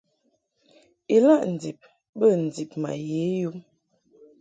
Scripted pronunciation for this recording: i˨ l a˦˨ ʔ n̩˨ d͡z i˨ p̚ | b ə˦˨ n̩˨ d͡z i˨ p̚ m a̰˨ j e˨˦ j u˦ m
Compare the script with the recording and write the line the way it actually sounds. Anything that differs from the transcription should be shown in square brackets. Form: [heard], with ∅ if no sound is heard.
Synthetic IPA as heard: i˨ l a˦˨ ʔ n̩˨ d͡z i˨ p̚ | b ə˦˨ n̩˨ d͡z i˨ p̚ m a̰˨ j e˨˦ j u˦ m